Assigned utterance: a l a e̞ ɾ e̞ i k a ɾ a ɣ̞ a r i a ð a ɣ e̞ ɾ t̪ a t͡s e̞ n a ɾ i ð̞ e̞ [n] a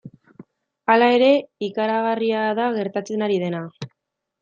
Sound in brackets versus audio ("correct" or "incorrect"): correct